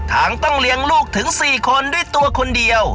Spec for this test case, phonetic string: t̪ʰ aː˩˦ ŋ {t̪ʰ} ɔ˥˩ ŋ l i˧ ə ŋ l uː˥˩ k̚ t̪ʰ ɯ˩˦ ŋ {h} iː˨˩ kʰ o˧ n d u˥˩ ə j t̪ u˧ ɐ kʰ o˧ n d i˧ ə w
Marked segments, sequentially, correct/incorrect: incorrect, incorrect

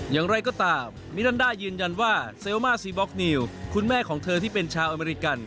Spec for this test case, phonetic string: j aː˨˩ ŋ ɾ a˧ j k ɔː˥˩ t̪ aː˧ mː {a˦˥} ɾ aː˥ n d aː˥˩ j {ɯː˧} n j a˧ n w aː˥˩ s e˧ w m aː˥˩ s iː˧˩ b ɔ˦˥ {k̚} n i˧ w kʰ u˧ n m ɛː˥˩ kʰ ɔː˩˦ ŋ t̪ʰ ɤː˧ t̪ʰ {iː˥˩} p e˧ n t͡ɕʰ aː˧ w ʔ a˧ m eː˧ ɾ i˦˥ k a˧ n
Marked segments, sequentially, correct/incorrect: incorrect, correct, correct, correct

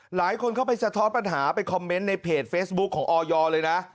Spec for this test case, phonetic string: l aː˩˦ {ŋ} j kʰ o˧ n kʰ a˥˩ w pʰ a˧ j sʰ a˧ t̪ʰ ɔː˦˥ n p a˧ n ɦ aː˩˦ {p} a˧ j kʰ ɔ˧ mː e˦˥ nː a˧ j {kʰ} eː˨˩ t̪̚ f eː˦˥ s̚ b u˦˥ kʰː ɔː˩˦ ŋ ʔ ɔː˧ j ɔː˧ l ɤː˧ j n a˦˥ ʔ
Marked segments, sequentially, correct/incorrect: incorrect, correct, incorrect

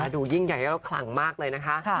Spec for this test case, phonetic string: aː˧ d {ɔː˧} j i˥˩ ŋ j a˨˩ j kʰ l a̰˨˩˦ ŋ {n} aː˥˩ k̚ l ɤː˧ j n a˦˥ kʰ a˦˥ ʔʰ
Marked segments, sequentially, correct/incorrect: incorrect, incorrect

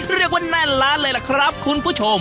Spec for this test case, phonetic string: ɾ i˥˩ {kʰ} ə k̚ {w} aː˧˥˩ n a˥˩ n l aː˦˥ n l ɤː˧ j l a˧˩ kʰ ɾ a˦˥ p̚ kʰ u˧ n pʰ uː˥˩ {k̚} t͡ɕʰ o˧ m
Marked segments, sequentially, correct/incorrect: incorrect, correct, incorrect

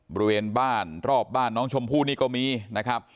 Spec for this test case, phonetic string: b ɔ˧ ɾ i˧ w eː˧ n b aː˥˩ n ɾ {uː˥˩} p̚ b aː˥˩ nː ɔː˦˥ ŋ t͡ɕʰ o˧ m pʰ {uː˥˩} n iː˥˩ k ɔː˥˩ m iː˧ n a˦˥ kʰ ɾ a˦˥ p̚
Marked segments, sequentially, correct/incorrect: incorrect, correct

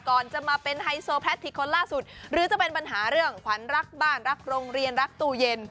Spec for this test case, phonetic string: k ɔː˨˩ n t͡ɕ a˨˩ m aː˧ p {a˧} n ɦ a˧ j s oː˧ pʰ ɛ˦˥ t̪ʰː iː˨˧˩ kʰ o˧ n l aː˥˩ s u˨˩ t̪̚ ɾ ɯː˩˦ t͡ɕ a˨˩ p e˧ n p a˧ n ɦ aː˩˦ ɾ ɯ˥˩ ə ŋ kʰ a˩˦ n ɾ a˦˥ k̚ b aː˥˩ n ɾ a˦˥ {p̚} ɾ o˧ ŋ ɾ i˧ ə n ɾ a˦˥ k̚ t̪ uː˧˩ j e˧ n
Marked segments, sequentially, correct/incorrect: incorrect, incorrect

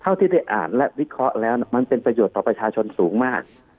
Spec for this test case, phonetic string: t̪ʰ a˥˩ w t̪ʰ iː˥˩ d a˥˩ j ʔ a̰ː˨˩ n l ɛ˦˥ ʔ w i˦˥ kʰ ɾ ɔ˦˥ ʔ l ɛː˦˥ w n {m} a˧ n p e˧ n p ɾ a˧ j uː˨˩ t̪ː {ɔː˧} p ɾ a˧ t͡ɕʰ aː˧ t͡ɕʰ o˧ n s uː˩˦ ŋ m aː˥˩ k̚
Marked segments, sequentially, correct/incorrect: correct, incorrect

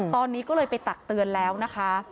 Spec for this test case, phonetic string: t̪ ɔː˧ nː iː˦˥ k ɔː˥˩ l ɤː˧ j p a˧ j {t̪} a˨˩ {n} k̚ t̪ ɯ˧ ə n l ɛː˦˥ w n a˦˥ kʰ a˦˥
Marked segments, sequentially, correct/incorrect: correct, incorrect

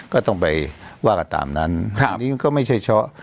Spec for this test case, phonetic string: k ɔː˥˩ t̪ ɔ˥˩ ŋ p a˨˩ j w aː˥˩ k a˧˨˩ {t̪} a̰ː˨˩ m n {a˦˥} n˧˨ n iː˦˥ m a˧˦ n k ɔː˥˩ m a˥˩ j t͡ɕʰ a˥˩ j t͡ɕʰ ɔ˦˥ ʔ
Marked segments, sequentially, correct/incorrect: correct, correct

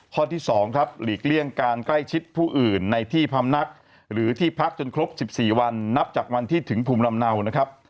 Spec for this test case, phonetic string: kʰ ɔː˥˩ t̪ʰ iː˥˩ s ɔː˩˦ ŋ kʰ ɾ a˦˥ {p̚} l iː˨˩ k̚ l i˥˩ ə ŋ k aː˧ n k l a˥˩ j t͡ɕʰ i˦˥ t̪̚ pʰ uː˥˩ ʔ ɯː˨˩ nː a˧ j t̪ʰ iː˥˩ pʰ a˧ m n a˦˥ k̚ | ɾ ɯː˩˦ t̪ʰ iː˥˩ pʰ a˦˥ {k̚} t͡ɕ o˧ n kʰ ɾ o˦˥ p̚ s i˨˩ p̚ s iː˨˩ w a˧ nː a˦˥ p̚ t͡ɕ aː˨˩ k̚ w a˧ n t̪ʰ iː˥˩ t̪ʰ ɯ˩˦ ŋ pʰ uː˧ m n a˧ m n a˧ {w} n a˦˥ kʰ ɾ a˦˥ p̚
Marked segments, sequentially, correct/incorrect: correct, correct, correct

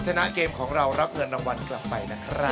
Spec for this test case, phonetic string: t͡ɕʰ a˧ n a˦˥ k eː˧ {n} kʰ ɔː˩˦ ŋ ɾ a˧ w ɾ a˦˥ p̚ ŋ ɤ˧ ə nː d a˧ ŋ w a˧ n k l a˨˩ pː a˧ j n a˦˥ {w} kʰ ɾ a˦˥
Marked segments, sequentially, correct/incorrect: incorrect, incorrect

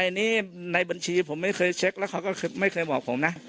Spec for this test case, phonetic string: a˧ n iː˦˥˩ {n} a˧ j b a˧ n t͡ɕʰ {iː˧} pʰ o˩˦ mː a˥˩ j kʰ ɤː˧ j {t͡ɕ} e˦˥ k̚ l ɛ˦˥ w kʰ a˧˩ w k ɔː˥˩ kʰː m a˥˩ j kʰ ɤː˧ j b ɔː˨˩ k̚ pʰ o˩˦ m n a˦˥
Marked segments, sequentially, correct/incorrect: correct, correct, incorrect

